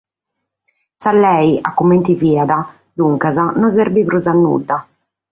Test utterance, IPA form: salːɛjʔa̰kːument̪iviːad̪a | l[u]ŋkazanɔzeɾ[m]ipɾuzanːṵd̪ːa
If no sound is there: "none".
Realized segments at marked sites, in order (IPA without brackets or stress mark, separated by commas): u, b